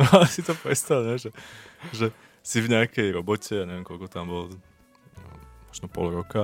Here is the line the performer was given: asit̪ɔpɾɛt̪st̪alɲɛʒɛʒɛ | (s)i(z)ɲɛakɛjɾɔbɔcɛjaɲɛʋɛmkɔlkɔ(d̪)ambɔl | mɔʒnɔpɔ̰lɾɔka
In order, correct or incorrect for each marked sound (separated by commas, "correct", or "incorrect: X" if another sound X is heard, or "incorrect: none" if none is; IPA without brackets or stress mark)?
correct, incorrect: v, incorrect: t̪